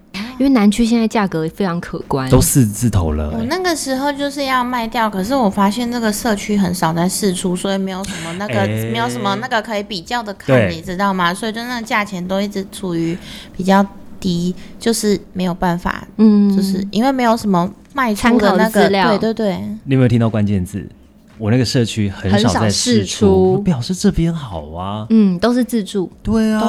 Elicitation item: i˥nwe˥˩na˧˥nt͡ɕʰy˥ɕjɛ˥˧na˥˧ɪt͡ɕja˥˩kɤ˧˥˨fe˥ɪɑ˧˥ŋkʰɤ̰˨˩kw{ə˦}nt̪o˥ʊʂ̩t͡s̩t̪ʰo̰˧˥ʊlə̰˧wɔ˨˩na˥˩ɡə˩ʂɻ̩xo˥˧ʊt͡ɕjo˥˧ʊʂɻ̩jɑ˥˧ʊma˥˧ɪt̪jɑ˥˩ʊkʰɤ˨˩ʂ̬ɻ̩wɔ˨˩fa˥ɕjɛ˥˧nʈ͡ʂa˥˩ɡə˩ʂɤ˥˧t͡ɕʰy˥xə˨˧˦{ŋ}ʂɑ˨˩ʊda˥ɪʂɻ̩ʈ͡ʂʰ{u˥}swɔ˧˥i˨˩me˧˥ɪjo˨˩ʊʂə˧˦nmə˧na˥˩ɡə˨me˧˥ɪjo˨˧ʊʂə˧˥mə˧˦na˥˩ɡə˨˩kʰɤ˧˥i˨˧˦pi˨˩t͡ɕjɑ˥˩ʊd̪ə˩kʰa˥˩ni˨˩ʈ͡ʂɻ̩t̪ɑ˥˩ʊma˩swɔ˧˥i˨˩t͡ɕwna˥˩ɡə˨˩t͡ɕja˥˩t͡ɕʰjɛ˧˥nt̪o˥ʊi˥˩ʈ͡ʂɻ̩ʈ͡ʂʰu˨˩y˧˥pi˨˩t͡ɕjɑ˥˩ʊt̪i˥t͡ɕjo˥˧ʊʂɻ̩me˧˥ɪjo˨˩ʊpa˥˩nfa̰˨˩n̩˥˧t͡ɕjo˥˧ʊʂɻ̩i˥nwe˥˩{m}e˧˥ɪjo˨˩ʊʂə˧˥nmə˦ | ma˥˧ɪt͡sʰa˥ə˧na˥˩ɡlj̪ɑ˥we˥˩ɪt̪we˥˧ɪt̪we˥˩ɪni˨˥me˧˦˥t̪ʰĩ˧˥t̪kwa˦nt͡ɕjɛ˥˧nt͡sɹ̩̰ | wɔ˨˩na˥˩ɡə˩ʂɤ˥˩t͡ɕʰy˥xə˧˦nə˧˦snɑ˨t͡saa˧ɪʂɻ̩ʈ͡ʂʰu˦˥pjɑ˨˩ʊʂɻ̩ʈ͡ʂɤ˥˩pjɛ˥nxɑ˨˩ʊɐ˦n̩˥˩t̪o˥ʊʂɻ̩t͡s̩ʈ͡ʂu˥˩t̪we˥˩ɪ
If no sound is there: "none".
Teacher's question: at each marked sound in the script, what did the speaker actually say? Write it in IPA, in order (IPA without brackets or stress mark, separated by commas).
a˦, n, u˥, m